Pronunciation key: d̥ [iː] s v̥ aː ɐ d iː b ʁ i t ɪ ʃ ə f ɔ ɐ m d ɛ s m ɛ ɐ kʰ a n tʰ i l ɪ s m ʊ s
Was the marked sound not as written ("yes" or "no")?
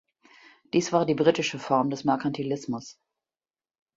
no